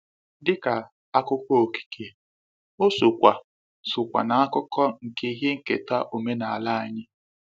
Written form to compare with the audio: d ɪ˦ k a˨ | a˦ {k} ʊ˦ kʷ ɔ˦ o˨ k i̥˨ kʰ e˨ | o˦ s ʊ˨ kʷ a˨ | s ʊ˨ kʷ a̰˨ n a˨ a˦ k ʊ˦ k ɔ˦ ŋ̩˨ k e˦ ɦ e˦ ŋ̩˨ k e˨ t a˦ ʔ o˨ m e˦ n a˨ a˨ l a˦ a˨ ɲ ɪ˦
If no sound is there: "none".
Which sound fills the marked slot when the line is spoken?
k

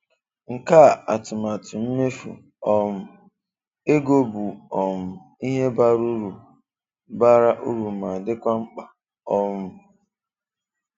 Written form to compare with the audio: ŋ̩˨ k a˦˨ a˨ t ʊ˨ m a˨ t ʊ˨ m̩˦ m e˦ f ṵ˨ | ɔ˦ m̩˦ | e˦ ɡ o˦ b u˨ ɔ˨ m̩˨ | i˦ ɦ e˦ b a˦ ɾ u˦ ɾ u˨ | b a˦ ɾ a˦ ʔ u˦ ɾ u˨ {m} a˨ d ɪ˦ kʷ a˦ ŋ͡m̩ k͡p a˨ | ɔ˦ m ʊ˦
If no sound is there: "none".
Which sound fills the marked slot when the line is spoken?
m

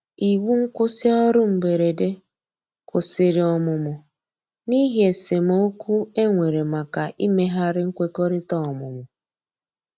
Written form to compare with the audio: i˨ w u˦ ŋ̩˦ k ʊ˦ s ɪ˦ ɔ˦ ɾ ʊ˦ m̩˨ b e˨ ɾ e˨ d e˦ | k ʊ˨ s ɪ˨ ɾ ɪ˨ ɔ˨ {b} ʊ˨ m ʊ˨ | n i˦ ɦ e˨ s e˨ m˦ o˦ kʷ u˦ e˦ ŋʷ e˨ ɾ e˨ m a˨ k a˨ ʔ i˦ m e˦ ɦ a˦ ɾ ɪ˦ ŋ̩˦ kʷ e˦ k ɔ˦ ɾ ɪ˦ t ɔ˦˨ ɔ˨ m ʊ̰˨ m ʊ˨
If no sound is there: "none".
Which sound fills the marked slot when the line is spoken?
m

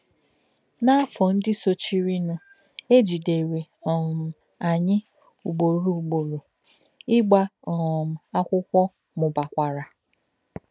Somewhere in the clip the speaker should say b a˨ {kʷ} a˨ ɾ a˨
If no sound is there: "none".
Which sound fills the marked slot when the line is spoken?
kʷ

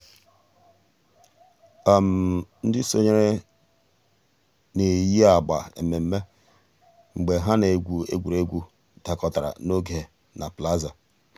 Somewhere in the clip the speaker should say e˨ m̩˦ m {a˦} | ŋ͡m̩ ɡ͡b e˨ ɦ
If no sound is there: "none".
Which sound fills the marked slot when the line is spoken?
e˦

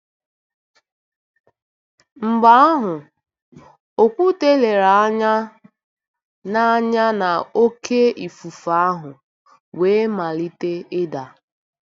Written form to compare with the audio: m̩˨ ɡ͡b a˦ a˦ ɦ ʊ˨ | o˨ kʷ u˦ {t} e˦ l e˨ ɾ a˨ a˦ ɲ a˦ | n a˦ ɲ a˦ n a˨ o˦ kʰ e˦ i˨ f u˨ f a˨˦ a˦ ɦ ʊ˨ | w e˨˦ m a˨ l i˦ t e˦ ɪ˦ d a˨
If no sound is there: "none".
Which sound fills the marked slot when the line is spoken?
t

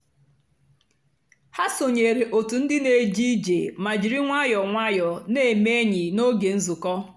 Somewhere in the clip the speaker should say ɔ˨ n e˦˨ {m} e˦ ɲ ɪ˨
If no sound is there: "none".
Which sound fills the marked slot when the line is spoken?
m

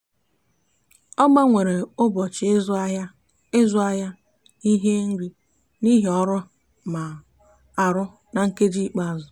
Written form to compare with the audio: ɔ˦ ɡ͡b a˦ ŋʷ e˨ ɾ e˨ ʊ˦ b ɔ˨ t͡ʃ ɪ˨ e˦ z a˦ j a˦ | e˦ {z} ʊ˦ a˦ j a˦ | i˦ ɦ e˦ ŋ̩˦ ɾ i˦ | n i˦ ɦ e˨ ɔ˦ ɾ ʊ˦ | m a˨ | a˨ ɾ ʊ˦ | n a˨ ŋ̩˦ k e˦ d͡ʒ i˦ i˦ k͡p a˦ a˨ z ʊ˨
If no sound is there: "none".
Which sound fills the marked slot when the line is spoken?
z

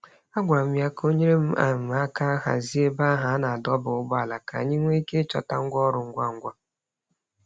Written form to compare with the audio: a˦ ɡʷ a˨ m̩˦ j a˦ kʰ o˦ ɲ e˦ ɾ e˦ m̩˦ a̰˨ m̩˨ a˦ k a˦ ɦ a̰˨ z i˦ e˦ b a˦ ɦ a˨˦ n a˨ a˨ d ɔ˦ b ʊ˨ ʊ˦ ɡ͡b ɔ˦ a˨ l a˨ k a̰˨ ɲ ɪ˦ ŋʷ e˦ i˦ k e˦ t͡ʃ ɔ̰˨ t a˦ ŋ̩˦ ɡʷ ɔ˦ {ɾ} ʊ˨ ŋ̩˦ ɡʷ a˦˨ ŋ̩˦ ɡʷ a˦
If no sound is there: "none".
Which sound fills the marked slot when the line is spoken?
ɾ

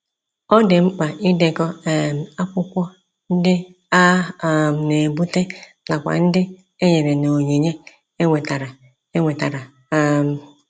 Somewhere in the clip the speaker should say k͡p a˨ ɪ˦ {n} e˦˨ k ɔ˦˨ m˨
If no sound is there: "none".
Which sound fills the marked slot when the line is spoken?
d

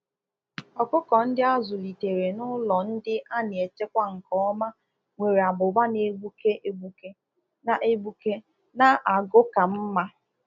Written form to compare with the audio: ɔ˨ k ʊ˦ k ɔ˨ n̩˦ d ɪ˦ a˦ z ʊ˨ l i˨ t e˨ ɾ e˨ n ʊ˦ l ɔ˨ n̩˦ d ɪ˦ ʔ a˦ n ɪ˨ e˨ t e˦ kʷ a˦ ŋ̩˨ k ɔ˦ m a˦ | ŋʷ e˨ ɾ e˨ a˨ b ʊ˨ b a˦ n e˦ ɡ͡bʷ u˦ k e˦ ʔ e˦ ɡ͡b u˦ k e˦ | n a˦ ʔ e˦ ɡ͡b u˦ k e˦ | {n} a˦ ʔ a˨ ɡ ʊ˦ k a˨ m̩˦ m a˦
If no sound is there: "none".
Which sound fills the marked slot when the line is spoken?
n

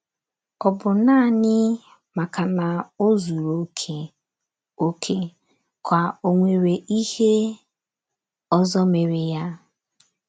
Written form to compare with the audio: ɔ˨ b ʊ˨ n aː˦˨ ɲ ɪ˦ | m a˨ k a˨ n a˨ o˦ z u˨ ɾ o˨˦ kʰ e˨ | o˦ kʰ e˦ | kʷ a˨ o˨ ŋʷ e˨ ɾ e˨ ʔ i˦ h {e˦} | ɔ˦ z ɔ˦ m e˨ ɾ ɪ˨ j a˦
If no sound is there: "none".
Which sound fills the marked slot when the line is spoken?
e˦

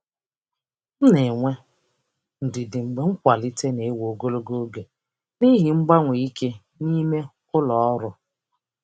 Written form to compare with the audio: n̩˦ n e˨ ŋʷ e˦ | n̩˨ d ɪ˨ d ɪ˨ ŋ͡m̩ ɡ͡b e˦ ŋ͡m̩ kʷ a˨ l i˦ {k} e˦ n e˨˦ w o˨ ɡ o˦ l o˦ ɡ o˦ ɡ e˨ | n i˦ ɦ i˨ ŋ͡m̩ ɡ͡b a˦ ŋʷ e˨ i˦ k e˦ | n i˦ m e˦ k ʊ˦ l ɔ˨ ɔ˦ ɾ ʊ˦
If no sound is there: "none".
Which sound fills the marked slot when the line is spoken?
t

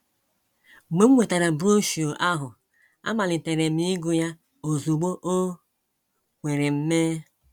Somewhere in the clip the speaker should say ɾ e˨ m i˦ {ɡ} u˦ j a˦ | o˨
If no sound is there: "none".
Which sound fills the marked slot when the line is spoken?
ɡ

